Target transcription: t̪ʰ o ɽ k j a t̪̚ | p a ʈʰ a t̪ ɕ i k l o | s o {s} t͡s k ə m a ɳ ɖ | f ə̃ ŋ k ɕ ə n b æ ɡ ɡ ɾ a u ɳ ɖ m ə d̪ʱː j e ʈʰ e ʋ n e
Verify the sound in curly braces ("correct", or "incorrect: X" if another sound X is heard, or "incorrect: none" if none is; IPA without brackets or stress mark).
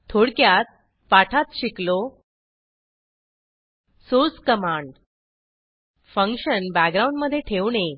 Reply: incorrect: none